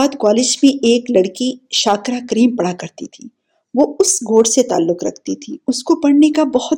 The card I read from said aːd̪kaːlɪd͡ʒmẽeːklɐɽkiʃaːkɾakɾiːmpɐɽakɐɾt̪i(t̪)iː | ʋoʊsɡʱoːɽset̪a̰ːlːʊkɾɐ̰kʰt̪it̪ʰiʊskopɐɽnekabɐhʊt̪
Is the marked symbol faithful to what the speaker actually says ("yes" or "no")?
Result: no